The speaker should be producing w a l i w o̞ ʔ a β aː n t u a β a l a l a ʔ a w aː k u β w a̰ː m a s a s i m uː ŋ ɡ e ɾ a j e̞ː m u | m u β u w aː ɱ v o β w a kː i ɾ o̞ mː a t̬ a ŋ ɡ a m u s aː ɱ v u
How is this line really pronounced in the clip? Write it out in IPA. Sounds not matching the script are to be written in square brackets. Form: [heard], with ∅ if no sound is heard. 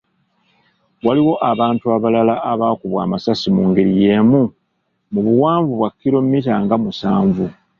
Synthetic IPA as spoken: w a l i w o̞ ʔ a β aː n t u a β a l a l a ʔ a [β] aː k u β w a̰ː m a s a s i m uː ŋ ɡ e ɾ [i] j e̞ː m u | m u β u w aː ɱ v [u] β w a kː i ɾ o̞ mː [i] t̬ a ŋ ɡ a m u s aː ɱ v u